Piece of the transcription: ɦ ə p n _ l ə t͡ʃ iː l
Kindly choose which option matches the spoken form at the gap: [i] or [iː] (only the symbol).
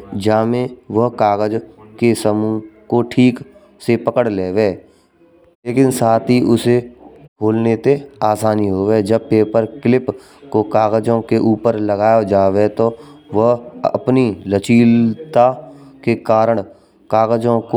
i